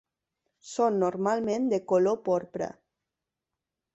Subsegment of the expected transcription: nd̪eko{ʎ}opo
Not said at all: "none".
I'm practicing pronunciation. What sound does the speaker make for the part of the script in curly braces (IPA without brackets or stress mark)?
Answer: l